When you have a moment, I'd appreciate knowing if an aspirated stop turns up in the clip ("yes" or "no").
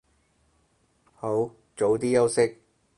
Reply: no